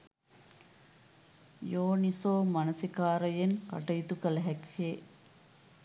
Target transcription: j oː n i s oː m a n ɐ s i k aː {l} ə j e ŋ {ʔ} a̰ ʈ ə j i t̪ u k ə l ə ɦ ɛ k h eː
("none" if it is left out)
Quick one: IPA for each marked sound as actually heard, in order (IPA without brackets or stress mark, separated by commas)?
ɾ, k